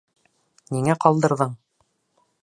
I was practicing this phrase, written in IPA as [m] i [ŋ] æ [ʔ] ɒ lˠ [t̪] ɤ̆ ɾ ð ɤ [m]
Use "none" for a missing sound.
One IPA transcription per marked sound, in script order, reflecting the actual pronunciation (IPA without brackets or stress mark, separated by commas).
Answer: n, ŋ, q, d̪, ɴ